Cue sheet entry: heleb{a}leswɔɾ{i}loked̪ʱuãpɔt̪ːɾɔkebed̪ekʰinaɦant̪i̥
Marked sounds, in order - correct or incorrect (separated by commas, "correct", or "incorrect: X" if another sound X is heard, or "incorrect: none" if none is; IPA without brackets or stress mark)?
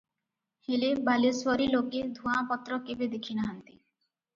correct, correct